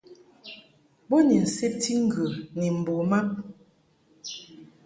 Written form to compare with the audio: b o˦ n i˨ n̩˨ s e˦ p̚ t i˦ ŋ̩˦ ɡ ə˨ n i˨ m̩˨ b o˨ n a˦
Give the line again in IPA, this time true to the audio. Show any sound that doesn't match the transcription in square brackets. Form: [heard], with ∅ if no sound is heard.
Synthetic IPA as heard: b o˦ n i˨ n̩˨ s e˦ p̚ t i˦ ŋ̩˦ ɡ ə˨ n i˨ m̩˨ b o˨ [m] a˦